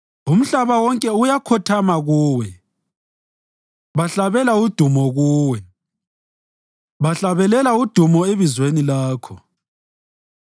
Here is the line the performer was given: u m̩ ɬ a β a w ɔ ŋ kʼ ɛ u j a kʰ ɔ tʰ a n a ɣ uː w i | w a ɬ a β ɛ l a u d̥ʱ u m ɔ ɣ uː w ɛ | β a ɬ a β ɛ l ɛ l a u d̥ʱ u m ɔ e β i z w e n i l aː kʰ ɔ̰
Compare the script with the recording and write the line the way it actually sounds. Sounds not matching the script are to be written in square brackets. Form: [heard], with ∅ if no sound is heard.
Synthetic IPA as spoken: u m̩ ɬ a β a w ɔ ŋ kʼ ɛ u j a kʰ ɔ tʰ a [m] a ɣ uː w [ɛ] | [β] a ɬ a β ɛ l a u d̥ʱ u m ɔ ɣ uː w ɛ | β a ɬ a β ɛ l ɛ l a u d̥ʱ u m ɔ e β i z w e n i l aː kʰ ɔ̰

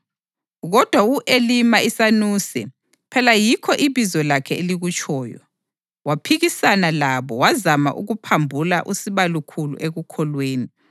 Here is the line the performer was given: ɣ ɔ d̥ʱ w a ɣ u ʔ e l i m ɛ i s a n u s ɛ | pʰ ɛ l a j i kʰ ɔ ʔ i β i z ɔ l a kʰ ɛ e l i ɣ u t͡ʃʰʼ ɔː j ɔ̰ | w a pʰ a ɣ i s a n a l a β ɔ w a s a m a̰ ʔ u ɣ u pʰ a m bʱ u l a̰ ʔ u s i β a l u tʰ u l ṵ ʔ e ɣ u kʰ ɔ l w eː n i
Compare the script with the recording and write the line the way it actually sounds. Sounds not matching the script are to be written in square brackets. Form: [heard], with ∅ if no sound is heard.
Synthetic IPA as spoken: ɣ ɔ d̥ʱ w a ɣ u ʔ e l i m [a] i s a n u s ɛ | pʰ ɛ l a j i kʰ ɔ ʔ i β i z ɔ l a kʰ ɛ e l i ɣ u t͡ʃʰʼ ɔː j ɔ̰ | w a pʰ [i] ɣ i s a n a l a β ɔ w a [z] a m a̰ ʔ u ɣ u pʰ a m bʱ u l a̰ ʔ u s i β a l u [kʰ] u l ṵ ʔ e ɣ u kʰ ɔ l w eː n i

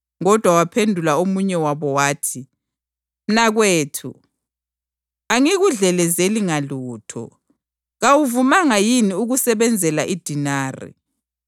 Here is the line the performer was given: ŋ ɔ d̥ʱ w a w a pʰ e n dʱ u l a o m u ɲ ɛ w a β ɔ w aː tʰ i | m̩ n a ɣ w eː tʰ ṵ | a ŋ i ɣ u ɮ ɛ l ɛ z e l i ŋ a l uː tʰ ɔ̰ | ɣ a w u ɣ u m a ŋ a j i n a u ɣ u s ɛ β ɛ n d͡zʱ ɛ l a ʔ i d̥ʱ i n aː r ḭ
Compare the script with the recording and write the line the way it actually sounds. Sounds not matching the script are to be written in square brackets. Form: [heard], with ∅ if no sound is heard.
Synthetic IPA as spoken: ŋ ɔ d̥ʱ w a w a pʰ e n dʱ u l a o m u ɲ ɛ w a β ɔ w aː tʰ i | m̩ n a ɣ w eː tʰ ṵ | a ŋ i ɣ u ɮ ɛ l ɛ z e l i ŋ a l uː tʰ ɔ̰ | ɣ a w u [v] u m a ŋ a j i n [i] u ɣ u s ɛ β ɛ n d͡zʱ ɛ l a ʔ i d̥ʱ i n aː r ḭ

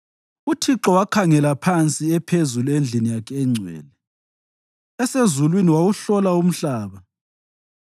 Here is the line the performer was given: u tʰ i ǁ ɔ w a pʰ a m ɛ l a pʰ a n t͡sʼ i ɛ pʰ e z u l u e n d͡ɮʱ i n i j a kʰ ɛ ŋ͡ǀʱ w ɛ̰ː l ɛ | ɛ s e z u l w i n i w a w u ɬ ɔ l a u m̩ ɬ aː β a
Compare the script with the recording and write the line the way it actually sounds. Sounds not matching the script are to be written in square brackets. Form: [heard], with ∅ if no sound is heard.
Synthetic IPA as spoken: u tʰ i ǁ ɔ w a [kʰ] a [ŋ] ɛ l a pʰ a n t͡sʼ i ɛ pʰ e z u l u e n d͡ɮʱ i n i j a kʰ ɛ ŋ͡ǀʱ w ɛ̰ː l ɛ | ɛ s e z u l w i n i w a w u ɬ ɔ l a u m̩ ɬ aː β a

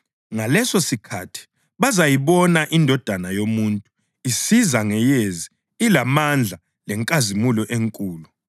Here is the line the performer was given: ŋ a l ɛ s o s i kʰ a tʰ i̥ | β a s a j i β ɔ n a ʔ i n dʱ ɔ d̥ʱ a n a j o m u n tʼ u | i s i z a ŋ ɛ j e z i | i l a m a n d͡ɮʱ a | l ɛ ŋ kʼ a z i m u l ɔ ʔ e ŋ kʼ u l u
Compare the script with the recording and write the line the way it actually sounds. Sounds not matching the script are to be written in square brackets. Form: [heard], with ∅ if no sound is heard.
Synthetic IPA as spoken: ŋ a l ɛ s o s i kʰ a tʰ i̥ | β a [z] a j i β ɔ n a ʔ i n dʱ ɔ d̥ʱ a n a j o m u n tʼ u | i s i z a ŋ ɛ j e z i | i l a m a n d͡ɮʱ a | l ɛ ŋ kʼ a z i m u l ɔ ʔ e ŋ kʼ [uː] l u

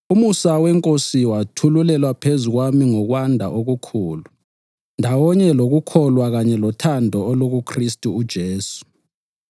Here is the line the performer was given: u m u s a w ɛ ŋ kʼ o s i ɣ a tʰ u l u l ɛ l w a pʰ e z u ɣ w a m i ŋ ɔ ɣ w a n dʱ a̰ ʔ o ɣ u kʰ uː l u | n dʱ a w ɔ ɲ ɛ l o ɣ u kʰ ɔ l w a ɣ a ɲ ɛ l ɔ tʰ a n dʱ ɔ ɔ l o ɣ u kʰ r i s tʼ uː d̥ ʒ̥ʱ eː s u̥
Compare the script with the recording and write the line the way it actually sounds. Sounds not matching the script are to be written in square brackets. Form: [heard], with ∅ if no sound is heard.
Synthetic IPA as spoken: u m u s a w ɛ ŋ kʼ o s i [w] a tʰ u l u l ɛ l w a pʰ e z u ɣ w a m i ŋ ɔ ɣ w a n dʱ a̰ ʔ o ɣ u kʰ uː l u | n dʱ a w ɔ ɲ ɛ l o ɣ u kʰ ɔ l w a ɣ a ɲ ɛ l ɔ tʰ a n dʱ ɔ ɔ l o ɣ u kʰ r i s tʼ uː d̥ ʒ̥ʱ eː s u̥

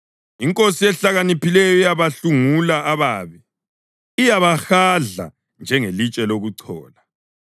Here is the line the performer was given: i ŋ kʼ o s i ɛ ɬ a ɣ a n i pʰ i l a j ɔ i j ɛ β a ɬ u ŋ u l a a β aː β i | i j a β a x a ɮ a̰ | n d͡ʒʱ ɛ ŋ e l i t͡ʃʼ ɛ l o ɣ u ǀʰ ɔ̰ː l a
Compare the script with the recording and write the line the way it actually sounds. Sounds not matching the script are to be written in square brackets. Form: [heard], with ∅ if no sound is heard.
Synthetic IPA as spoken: i ŋ kʼ o s i ɛ ɬ a ɣ a n i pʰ i l [ɛ] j ɔ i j [a] β a ɬ u ŋ u l a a β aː β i | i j a β a x a ɮ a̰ | n d͡ʒʱ ɛ ŋ e l i t͡ʃʼ ɛ l o ɣ u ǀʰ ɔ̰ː l a

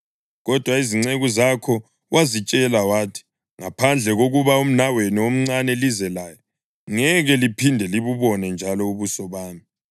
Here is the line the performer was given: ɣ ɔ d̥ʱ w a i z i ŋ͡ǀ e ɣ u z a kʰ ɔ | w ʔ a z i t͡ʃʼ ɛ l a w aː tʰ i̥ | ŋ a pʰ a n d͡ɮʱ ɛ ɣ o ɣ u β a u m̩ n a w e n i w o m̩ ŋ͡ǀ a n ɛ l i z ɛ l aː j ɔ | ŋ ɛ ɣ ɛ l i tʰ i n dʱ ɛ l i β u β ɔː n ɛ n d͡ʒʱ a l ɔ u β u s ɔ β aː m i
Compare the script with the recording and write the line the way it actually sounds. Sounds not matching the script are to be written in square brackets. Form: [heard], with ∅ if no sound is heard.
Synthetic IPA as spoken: ɣ ɔ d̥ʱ w a i z i ŋ͡ǀ e ɣ u z a kʰ ɔ | w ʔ a z i t͡ʃʼ ɛ l a w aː tʰ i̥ | ŋ a pʰ a n d͡ɮʱ ɛ ɣ o ɣ u β a u m̩ n a w e n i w o m̩ ŋ͡ǀ a n ɛ l i z ɛ l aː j ɔ | ŋ ɛ ɣ ɛ l i [pʰ] i n dʱ ɛ l i β u β [ɔ] n ɛ n d͡ʒʱ a l ɔ u β u s ɔ β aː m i

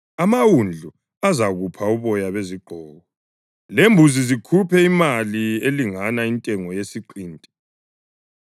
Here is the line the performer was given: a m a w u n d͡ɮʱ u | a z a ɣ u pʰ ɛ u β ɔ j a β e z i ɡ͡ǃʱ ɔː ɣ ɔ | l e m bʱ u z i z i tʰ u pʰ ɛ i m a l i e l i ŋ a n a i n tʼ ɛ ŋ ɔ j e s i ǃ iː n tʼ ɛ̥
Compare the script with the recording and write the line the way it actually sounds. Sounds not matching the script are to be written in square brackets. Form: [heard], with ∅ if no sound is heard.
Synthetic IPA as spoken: a m a w u n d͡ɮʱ u | a z a ɣ u pʰ [a] u β ɔ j a β e z i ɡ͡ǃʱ ɔː ɣ ɔ | l e m bʱ u z i z i [kʰ] u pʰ ɛ i m a l i e l i ŋ a n a i n tʼ ɛ ŋ ɔ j e s i ǃ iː n tʼ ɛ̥

